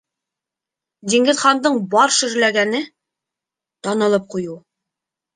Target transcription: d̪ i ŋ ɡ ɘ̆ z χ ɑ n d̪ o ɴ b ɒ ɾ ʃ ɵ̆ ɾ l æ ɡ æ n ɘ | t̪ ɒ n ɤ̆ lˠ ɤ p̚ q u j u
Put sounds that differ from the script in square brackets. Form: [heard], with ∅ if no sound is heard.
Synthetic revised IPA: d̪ i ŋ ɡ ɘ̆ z χ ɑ n d̪ [ɤ] ɴ b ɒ ɾ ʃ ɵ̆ ɾ l æ ɡ æ n ɘ | t̪ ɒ n ɤ̆ lˠ ɤ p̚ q u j u